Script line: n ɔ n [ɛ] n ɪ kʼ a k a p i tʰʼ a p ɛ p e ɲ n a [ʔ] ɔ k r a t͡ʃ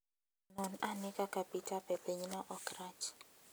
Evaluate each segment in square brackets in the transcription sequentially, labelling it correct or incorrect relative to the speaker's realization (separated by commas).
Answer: incorrect, correct